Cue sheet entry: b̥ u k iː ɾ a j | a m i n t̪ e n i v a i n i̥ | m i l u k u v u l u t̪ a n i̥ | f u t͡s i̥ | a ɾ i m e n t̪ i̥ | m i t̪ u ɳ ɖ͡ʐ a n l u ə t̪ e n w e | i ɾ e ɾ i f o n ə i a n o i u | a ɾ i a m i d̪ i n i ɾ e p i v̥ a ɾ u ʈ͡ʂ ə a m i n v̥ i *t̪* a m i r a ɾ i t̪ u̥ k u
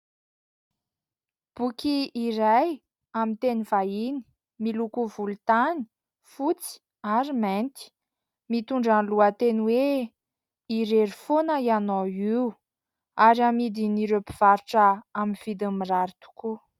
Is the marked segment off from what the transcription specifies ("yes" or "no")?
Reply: yes